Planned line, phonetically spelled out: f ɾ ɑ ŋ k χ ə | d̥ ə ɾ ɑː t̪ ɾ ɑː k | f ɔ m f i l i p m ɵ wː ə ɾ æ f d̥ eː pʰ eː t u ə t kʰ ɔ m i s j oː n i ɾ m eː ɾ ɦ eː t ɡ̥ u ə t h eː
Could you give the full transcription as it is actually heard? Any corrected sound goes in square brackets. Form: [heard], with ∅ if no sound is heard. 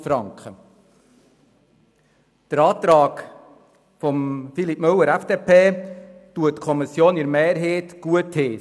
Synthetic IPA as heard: f ɾ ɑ ŋ k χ ə | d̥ ə ɾ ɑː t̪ ɾ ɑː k | f ɔ m f i l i p m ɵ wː ə ɾ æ f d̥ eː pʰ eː t u ə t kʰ ɔ m i s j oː n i ɾ m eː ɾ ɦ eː t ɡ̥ u ə t h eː